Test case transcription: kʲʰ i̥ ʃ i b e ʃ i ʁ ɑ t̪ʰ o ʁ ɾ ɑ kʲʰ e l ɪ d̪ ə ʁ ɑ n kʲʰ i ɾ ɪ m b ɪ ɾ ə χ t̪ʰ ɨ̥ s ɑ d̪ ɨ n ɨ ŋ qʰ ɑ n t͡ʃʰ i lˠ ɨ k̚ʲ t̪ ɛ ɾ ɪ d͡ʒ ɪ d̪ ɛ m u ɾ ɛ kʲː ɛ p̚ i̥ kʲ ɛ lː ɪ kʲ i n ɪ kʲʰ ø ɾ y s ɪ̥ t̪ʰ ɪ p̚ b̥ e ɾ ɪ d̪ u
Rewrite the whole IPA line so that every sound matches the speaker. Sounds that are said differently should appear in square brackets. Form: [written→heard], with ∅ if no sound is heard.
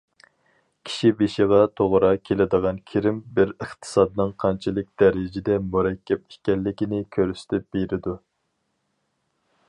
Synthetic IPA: kʲʰ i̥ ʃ i b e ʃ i ʁ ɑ t̪ʰ o ʁ ɾ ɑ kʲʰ e l ɪ d̪ ə ʁ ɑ n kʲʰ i ɾ ɪ m b ɪ ɾ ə χ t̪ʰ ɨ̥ s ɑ d̪ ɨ n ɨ ŋ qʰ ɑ n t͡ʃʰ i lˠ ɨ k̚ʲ [t̪→d̪] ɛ ɾ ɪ d͡ʒ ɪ d̪ ɛ m u ɾ ɛ kʲː ɛ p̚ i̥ kʲ ɛ lː ɪ kʲ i n ɪ kʲʰ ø ɾ y s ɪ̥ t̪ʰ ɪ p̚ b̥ e ɾ ɪ d̪ u